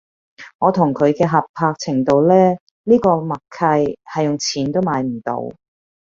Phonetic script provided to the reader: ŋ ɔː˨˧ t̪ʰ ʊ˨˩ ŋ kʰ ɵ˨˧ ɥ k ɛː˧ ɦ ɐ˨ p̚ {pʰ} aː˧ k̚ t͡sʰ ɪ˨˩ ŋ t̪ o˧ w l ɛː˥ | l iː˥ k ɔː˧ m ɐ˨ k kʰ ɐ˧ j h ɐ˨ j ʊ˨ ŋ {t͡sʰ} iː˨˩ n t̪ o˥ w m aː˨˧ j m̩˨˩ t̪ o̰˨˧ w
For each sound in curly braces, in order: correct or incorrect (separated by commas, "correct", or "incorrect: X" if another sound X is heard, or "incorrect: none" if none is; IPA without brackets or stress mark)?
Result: correct, correct